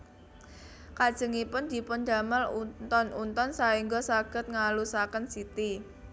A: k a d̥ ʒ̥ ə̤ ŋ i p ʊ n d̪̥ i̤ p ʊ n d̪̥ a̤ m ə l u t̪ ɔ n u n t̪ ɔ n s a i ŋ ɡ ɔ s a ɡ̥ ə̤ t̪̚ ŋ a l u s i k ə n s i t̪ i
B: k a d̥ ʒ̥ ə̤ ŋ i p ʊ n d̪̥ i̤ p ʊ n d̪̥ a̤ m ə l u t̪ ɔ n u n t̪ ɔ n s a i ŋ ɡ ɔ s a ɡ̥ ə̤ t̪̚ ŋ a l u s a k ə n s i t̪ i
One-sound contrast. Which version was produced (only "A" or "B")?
B